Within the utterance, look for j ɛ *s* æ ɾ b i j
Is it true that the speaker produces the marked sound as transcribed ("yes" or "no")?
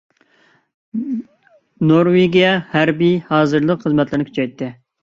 no